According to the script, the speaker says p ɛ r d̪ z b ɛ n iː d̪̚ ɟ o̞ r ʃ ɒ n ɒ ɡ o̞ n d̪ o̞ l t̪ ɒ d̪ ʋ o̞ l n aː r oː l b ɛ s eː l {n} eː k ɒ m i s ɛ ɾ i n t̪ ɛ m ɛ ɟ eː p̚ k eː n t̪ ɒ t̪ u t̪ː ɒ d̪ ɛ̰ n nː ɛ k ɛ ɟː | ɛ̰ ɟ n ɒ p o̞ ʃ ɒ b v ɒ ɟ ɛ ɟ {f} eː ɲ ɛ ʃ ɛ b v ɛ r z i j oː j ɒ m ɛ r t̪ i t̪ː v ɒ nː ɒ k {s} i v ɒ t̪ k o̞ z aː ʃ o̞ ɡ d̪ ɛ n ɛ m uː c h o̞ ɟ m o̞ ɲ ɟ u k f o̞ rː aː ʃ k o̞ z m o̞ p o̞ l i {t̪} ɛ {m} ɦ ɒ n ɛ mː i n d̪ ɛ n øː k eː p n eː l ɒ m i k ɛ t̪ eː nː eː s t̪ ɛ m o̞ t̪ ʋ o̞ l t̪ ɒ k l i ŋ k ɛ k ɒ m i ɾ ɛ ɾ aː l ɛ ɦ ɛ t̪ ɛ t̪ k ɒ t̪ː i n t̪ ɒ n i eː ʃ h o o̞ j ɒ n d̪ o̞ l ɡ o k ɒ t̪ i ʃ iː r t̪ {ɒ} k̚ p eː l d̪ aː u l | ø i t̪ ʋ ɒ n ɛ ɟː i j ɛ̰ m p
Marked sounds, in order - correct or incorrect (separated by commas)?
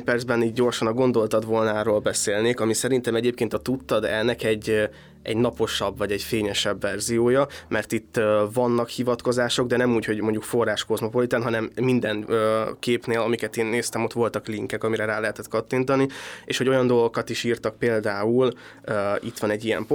correct, correct, incorrect, correct, incorrect, correct